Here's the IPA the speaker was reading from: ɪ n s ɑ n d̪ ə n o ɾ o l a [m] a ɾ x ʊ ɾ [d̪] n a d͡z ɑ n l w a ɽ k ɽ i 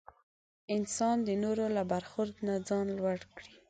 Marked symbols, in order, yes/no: no, yes

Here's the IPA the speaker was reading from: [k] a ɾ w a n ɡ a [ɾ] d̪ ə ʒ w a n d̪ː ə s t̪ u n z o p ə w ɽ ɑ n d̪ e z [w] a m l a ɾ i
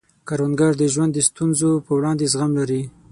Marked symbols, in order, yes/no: yes, yes, no

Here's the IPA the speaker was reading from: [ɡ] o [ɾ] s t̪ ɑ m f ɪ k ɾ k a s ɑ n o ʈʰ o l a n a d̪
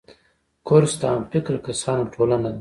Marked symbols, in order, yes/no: no, yes

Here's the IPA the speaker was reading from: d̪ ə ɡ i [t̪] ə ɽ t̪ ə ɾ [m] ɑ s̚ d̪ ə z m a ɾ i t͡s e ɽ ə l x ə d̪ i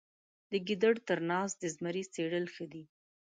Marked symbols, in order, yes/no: no, no

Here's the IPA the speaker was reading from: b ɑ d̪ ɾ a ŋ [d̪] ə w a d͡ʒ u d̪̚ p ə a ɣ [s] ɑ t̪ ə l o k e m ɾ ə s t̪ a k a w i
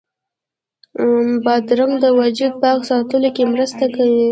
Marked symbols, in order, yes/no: yes, yes

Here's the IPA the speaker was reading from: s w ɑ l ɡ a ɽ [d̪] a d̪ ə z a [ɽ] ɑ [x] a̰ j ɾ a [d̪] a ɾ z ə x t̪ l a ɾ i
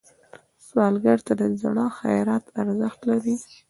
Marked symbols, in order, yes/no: no, yes, yes, no

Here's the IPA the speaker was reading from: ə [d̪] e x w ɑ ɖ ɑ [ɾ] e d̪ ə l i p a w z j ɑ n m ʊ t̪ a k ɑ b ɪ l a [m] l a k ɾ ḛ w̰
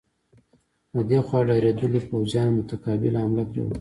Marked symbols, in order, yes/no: yes, yes, yes

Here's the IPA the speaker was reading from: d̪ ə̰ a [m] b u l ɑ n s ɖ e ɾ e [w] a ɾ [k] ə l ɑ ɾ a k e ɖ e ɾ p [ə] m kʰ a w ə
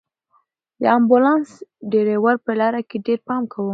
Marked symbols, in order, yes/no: yes, yes, no, no

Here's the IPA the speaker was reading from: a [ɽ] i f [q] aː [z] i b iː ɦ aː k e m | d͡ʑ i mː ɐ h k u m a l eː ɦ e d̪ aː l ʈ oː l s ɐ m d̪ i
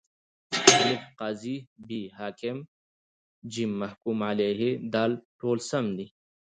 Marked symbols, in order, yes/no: no, yes, yes

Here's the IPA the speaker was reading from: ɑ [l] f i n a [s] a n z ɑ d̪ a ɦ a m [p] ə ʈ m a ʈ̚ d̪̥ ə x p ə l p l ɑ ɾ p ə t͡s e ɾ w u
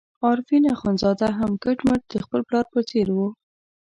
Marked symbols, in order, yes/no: no, no, no

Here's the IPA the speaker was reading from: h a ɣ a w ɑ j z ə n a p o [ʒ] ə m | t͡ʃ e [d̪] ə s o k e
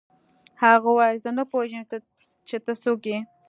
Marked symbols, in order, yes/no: yes, no

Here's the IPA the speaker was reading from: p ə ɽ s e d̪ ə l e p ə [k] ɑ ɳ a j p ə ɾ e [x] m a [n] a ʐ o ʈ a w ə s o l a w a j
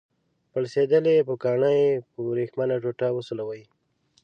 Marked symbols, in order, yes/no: yes, yes, yes

